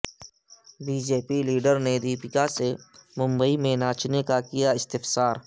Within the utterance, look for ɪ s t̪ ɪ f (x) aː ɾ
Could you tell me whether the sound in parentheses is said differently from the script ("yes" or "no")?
yes